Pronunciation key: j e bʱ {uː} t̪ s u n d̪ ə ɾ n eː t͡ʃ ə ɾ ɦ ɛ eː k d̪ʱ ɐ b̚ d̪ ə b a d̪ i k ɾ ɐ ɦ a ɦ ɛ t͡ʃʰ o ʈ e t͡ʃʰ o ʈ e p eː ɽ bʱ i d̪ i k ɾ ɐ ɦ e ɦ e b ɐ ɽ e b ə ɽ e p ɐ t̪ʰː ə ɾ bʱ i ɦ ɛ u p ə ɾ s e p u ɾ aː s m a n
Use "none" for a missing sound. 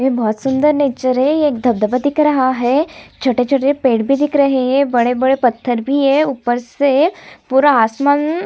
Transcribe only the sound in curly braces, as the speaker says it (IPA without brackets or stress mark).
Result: ɔː